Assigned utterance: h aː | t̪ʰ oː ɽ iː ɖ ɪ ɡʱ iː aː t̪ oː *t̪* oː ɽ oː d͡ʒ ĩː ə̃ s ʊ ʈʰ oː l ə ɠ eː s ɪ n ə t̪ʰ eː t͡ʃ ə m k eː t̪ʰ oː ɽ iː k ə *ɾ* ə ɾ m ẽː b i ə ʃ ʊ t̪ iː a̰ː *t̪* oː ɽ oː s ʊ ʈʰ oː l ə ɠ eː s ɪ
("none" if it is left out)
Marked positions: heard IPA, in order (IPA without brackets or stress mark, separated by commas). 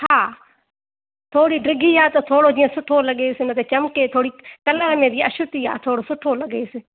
t̪ʰ, l, t̪ʰ